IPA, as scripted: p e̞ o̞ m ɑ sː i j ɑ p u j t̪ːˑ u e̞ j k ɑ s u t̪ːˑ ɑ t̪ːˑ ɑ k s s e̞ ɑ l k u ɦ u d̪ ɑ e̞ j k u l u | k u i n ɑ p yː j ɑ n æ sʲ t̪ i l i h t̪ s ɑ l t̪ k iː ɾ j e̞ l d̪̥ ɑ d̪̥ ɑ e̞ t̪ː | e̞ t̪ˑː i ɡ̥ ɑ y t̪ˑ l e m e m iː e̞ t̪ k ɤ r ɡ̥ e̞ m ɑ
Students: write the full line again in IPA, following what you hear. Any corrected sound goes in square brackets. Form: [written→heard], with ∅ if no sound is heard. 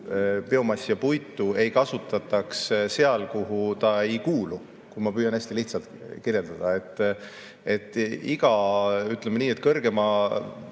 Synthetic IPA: p e̞ o̞ m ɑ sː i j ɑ p u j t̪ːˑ u e̞ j k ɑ s u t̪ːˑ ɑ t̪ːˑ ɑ k s s e̞ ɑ l k u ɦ u [d̪→t̪] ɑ e̞ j k [u→uː] l u | k u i [n→m] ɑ p yː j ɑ n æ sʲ t̪ i l i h t̪ s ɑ l t̪ k [iː→i] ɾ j e̞ l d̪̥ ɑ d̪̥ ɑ e̞ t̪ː | e̞ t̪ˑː i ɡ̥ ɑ y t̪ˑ l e m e [m→n] iː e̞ t̪ k ɤ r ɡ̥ e̞ m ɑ